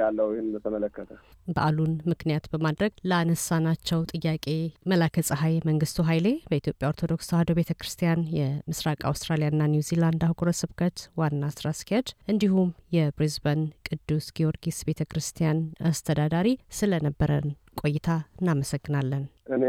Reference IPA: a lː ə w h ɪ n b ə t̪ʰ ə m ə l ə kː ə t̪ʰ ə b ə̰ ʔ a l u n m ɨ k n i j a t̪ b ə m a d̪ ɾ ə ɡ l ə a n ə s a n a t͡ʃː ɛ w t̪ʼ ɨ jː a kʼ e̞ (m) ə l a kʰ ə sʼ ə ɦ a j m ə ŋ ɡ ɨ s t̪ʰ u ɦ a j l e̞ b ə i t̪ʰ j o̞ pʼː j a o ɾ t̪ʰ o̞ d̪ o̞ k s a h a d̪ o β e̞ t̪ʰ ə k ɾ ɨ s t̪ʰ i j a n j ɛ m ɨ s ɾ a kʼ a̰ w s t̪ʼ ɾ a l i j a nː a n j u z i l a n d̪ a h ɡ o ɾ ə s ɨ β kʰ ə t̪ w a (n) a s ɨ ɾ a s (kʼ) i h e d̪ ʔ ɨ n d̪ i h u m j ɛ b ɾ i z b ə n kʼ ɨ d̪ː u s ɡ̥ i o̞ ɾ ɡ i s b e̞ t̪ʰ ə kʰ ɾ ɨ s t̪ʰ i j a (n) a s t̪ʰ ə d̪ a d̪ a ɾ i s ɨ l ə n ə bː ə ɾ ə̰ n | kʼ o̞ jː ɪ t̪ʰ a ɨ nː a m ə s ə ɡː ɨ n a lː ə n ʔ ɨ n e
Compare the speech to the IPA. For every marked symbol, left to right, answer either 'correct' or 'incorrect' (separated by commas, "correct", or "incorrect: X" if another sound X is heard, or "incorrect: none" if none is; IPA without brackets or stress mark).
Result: correct, incorrect: nː, incorrect: k, correct